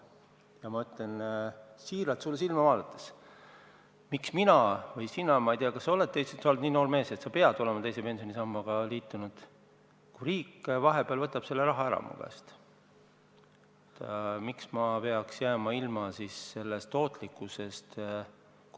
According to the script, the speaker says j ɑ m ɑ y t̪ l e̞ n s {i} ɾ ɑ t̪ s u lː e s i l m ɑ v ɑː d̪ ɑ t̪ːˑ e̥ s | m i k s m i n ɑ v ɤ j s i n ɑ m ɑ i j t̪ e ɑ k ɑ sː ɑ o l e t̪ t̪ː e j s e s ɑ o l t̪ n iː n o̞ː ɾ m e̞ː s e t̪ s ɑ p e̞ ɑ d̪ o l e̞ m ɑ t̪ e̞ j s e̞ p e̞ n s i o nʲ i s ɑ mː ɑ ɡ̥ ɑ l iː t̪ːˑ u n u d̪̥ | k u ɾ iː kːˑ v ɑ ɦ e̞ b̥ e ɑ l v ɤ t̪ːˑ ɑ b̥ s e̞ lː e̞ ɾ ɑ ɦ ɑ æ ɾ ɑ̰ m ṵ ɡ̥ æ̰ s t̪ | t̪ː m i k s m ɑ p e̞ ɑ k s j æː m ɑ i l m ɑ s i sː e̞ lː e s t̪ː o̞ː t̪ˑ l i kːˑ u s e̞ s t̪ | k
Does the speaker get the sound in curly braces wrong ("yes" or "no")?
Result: yes